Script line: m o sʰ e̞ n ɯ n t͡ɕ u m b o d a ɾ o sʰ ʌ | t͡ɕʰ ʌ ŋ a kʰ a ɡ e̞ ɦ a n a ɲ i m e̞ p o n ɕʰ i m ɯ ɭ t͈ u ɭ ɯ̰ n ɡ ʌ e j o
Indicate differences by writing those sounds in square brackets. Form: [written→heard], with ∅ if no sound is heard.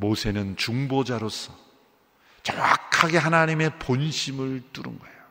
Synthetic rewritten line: m o sʰ e̞ n ɯ n t͡ɕ u [m→ŋ] b o [d→d͡ʑ] a ɾ o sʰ ʌ | [t͡ɕʰ→t͡ɕ] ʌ ŋ a kʰ a ɡ e̞ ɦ a n a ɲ i m e̞ p o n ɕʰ i m ɯ ɭ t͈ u [ɭ→ɾ] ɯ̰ n ɡ ʌ e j o